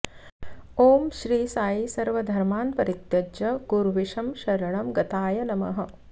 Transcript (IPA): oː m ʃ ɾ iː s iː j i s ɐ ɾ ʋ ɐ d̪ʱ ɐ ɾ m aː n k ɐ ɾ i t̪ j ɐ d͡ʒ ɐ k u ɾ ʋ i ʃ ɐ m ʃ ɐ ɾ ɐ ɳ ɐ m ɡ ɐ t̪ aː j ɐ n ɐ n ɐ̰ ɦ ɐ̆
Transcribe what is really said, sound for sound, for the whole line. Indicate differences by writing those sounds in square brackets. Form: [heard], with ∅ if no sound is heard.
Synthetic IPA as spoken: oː m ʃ ɾ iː s [aː] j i s ɐ ɾ ʋ ɐ d̪ʱ ɐ ɾ m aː n [p] ɐ ɾ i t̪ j ɐ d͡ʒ ɐ k u ɾ ʋ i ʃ ɐ m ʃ ɐ ɾ ɐ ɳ ɐ m ɡ ɐ t̪ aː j ɐ n ɐ [m] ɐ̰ ɦ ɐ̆